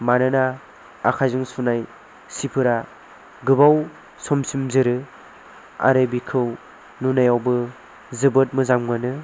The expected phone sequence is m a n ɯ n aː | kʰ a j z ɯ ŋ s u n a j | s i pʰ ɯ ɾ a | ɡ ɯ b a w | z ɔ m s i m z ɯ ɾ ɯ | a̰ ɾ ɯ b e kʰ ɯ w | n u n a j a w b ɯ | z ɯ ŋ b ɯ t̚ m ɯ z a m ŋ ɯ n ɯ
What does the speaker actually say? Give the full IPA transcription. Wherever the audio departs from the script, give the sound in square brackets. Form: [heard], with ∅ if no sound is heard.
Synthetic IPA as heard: m a n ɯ n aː | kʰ a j z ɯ ŋ s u n a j | s i pʰ ɯ ɾ a | ɡ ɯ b a w | [s] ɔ m s i m z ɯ ɾ ɯ | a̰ ɾ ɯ b [i] kʰ ɯ w | n u n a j a w b ɯ | z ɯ [∅] b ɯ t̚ m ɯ z a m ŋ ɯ n ɯ

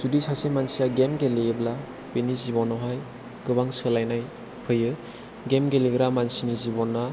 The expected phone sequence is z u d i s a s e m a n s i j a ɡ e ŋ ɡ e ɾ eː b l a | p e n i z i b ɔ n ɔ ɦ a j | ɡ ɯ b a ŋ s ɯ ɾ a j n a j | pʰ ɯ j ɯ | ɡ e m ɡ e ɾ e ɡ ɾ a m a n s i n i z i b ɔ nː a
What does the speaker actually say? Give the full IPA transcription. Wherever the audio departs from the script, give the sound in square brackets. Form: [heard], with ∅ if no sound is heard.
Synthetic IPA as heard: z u d i s a s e m a n s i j a ɡ e [m] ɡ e [l] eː b l a | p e n i z i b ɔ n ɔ ɦ a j | ɡ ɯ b a ŋ s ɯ [l] a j n a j | pʰ ɯ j ɯ | ɡ e m ɡ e [l] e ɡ ɾ a m a n s i n i z i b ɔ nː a

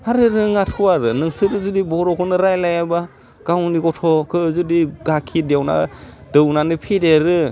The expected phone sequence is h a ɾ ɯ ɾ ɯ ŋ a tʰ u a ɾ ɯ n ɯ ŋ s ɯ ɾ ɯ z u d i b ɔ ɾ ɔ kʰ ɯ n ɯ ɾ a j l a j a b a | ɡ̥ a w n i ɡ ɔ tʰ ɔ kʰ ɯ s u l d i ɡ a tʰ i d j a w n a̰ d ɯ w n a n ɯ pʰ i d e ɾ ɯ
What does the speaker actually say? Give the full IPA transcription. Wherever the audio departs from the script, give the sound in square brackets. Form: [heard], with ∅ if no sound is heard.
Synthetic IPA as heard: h a ɾ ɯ ɾ ɯ ŋ a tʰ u a ɾ ɯ n ɯ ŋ s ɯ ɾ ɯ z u d i b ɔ ɾ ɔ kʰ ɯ n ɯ ɾ a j l a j a b a | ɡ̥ a w n i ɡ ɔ tʰ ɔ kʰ ɯ [z] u [∅] d i ɡ a [kʰ] i d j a w n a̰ d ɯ w n a n ɯ pʰ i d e ɾ ɯ

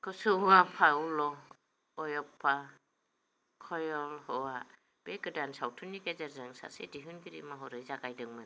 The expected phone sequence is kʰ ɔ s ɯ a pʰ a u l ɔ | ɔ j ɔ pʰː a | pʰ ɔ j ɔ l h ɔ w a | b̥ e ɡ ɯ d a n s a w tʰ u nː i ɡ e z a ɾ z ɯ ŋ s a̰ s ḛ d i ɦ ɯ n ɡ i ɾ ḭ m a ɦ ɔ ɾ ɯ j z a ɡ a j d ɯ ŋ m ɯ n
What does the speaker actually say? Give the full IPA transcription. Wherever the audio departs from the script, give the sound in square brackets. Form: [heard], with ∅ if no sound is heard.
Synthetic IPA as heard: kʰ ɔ s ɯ a pʰ a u l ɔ | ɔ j ɔ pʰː a | [kʰ] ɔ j ɔ l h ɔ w a | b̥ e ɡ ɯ d a n s a w tʰ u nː i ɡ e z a ɾ z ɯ ŋ s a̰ s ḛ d i ɦ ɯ n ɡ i ɾ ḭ m a ɦ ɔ ɾ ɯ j z a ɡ a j d ɯ ŋ m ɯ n

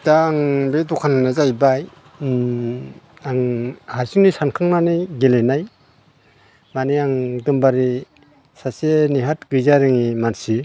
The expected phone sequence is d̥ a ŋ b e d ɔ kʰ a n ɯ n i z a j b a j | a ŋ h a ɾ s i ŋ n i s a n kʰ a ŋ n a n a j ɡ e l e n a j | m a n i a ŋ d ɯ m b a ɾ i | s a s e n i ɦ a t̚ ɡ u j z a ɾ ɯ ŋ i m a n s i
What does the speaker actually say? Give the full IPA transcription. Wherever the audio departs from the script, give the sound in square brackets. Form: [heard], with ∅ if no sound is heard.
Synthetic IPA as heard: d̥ a ŋ b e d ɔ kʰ a n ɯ n [a] z a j b a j | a ŋ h a ɾ s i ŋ n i s a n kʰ a ŋ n a n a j ɡ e l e n a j | m a n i a ŋ d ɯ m b a ɾ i | s a s e n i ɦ a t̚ ɡ [ɯ] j z a ɾ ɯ ŋ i m a n s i

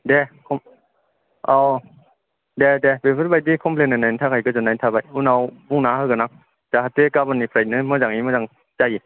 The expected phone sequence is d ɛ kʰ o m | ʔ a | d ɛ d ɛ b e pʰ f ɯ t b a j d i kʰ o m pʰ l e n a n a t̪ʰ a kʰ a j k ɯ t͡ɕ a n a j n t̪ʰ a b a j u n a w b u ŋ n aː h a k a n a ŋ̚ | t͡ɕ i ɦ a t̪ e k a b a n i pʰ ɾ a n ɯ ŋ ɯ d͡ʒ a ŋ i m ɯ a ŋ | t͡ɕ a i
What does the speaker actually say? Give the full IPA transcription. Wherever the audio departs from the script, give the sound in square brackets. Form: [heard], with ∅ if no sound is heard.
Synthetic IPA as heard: d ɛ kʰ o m | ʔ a | d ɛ d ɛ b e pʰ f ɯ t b a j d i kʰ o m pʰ l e n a n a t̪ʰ a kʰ a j k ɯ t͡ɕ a n a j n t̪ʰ a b a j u n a w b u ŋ n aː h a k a n a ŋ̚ | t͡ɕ [a] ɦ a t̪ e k a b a n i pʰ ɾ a n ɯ [m] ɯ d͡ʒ a ŋ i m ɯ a ŋ | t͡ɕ a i

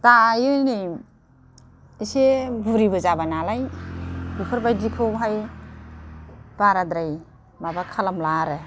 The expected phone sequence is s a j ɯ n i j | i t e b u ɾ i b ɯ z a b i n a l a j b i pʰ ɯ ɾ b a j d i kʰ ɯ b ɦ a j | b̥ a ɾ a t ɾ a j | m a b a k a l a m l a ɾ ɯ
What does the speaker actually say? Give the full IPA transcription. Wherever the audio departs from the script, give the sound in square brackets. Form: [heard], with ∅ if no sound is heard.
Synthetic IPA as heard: [t] a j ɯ n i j | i [s] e b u ɾ i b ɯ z a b [a] n a l a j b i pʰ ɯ ɾ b a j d i kʰ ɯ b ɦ a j | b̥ a ɾ a [d] ɾ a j | m a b a [kʰ] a l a m l a ɾ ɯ

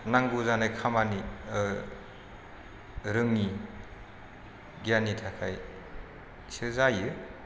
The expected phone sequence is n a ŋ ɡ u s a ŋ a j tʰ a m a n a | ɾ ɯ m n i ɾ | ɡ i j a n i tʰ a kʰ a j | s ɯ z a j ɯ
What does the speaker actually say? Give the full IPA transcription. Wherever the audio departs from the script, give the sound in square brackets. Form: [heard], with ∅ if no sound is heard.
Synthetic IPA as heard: n a ŋ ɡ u [z] a [n] a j [kʰ] a m a n [i] | ɾ ɯ [ŋ] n i [∅] | ɡ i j a n i tʰ a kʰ a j | s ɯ z a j ɯ

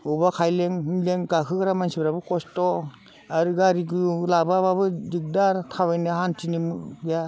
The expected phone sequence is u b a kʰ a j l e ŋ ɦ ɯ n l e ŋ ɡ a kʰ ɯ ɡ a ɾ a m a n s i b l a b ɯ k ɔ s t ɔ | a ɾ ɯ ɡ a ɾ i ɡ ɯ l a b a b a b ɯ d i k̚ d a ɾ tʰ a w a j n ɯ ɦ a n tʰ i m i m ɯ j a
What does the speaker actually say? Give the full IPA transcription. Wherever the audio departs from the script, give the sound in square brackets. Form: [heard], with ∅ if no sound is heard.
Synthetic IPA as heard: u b a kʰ a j l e ŋ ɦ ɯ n l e ŋ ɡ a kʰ ɯ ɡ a ɾ a m a n s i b [ɾ] a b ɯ k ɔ s t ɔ | a ɾ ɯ ɡ a ɾ i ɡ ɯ l a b a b a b ɯ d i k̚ d a ɾ tʰ a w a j n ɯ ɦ a n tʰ i [n] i m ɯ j a

